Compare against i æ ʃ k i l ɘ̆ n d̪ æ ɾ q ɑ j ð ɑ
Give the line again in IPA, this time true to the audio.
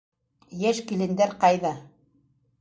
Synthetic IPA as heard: j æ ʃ k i l ɘ̆ n d̪ æ ɾ q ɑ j ð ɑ